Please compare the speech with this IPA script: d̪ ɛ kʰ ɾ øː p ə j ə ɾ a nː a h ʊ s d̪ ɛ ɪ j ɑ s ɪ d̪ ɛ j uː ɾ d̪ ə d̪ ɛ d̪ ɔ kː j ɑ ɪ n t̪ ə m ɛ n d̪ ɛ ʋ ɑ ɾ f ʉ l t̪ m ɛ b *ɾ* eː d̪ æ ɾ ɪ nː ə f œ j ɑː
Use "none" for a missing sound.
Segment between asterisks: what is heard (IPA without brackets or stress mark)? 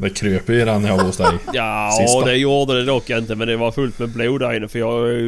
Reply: l